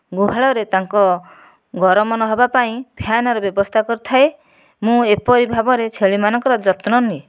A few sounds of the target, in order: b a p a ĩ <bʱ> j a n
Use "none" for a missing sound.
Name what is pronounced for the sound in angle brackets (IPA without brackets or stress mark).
bʱ